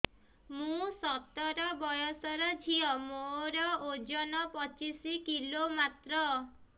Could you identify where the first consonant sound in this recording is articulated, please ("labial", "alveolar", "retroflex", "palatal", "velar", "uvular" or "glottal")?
labial